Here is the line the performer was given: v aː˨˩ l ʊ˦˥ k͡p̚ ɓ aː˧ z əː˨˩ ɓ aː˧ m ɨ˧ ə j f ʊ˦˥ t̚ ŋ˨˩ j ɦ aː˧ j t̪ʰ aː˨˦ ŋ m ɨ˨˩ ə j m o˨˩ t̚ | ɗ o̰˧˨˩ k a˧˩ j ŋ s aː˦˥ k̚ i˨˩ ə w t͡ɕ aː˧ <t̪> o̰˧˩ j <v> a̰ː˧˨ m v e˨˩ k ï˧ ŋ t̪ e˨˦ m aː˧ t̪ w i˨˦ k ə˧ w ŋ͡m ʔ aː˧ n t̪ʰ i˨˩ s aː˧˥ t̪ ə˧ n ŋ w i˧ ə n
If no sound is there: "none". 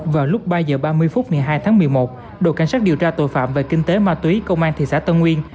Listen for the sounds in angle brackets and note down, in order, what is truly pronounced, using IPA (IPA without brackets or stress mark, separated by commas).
t̪, f